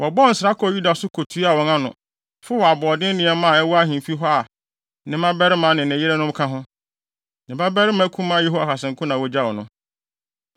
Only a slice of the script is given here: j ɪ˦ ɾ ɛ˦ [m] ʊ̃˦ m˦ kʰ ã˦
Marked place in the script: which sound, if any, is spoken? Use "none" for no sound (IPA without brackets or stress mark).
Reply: n